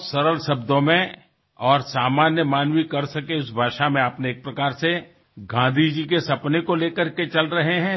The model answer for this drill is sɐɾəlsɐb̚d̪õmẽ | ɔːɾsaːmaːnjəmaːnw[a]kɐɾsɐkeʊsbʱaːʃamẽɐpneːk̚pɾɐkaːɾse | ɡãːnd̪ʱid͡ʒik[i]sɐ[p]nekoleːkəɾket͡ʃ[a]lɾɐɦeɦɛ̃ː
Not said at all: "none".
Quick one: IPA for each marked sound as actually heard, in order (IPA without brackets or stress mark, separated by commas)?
i, e, p, ɐ